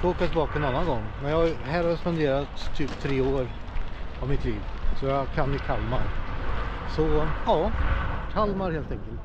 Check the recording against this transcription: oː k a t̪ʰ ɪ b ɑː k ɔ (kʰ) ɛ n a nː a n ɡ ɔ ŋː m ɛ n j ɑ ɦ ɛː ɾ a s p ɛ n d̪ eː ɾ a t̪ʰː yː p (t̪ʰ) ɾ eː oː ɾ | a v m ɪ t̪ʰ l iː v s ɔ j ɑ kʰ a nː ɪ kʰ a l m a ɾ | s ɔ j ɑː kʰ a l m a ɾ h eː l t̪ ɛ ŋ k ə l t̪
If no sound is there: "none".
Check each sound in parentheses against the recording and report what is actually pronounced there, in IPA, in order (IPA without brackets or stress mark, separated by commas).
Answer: none, t̪ʰ